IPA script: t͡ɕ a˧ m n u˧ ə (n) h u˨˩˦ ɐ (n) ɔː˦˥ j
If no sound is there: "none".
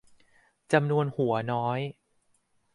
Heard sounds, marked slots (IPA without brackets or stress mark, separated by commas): n, n